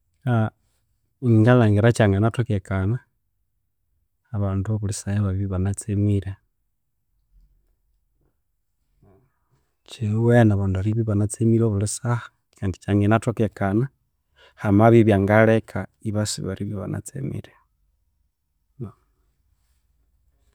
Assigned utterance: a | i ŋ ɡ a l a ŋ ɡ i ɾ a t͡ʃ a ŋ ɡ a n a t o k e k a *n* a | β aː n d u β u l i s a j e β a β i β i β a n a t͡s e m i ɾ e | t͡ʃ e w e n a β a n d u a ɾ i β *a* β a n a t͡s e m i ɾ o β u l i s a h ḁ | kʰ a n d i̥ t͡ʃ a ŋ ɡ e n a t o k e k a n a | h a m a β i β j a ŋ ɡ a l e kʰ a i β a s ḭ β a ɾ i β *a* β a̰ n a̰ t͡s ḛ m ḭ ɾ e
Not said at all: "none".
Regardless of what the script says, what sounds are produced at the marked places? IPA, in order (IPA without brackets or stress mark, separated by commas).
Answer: n, i, i